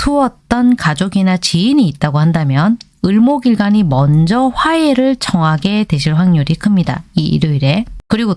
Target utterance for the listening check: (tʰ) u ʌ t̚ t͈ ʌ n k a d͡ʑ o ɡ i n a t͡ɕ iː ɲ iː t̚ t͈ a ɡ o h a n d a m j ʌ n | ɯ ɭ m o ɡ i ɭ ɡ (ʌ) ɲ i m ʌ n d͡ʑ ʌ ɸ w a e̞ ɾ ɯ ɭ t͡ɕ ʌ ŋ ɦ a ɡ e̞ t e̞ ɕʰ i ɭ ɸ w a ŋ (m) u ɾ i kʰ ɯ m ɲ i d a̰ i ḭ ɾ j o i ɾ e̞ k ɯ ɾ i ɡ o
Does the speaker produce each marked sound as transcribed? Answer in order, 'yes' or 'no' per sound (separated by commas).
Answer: yes, no, no